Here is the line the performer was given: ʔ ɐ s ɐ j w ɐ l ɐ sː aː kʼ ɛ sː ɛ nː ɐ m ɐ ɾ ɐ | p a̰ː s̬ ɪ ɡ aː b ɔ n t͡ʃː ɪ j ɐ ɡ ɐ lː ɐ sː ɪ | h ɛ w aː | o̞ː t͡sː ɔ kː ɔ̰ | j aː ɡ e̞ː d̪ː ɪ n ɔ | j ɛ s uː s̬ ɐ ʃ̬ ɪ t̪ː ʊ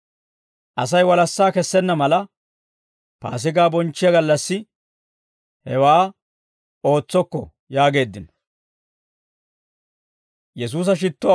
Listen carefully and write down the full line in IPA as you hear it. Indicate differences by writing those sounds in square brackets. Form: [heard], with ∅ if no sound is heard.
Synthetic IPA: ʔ ɐ s ɐ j w ɐ l ɐ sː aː [k] ɛ sː ɛ nː ɐ m ɐ [l] ɐ | p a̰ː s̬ ɪ ɡ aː b ɔ n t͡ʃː ɪ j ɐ ɡ ɐ lː ɐ sː ɪ | h ɛ w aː | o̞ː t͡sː ɔ kː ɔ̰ | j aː ɡ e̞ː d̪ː ɪ n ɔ | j ɛ s uː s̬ ɐ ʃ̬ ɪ t̪ː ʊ

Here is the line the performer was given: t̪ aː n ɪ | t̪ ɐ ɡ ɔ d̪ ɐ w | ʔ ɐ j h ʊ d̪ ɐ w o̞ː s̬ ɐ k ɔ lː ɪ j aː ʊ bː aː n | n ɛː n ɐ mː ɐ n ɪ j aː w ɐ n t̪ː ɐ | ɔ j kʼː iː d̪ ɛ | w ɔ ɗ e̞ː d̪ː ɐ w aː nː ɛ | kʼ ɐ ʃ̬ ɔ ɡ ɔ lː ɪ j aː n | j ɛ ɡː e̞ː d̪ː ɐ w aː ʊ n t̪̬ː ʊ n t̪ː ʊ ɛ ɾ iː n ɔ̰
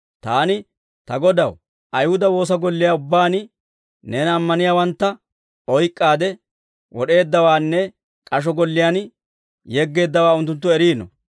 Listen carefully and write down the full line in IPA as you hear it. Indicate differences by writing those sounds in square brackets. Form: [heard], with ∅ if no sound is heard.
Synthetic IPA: t̪ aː n ɪ | t̪ ɐ ɡ ɔ d̪ ɐ w | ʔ ɐ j h ʊ d̪ ɐ w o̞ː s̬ ɐ [ɡ] ɔ lː ɪ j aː ʊ bː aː n | n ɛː n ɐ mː ɐ n ɪ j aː w ɐ n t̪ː ɐ | ɔ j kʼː [aː] d̪ ɛ | w ɔ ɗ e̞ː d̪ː ɐ w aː nː ɛ | kʼ ɐ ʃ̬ ɔ ɡ ɔ lː ɪ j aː n | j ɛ ɡː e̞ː d̪ː ɐ w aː ʊ n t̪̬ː ʊ n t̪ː ʊ ɛ ɾ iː n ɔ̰

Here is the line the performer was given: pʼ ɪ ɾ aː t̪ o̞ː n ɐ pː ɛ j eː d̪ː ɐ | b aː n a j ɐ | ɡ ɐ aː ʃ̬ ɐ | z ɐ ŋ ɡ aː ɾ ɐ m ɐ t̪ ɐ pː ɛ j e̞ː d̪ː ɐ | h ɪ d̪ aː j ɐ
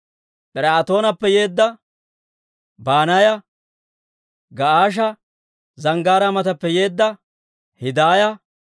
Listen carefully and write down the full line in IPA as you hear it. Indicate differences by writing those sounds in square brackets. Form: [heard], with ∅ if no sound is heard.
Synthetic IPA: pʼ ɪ ɾ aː t̪ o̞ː n ɐ pː ɛ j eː d̪ː ɐ | b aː n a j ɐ | ɡ ɐ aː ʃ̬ ɐ | z ɐ ŋ ɡ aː ɾ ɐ m ɐ t̪ ɐ pː ɛ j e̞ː d̪ː ɐ | h ɪ d̪ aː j ɐ

